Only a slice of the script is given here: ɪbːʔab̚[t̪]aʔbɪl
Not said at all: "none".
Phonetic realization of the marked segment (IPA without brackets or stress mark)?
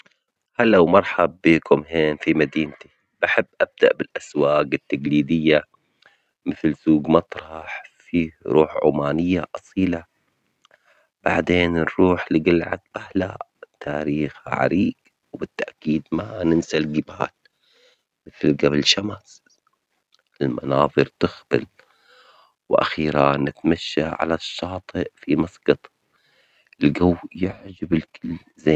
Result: d̪